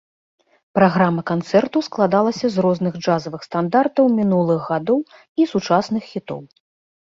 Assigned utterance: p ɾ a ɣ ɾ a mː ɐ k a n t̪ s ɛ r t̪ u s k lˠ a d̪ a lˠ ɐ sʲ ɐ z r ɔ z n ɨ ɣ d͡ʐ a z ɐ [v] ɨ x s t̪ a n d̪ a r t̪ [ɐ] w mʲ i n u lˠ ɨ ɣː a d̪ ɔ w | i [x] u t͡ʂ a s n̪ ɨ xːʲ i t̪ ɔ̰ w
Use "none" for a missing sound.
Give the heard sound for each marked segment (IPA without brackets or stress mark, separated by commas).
v, ɐ, s